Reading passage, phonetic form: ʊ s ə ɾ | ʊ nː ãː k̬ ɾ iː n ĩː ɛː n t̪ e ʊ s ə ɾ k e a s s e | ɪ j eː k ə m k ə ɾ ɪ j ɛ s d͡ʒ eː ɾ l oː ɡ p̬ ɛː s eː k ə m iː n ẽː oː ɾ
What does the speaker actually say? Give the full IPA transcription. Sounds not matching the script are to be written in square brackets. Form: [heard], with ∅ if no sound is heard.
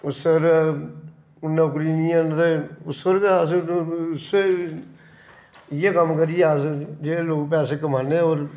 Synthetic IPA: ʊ s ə ɾ | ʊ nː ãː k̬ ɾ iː n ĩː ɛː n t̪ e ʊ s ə ɾ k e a s s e | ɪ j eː k ə m k ə ɾ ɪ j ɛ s d͡ʒ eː [∅] l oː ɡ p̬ ɛː s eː k ə m [aː] n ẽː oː ɾ